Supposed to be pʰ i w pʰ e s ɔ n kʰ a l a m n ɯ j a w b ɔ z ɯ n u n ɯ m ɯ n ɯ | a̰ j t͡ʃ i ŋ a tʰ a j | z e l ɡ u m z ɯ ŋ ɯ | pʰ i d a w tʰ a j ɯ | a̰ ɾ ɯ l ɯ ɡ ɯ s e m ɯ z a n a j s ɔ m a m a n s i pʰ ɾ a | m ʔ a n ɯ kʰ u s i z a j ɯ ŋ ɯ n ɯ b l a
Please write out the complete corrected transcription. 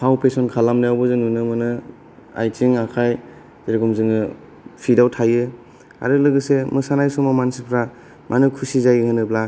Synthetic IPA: pʰ a w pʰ e s ɔ n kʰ a l a m n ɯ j a w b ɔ z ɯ n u n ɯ m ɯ n ɯ | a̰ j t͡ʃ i ŋ a kʰ a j | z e ɾ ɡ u m z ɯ ŋ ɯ | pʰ i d a w tʰ a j ɯ | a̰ ɾ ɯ l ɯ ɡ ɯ s e m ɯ s a n a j s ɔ m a m a n s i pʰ ɾ a | m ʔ a n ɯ kʰ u s i z a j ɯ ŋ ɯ n ɯ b l a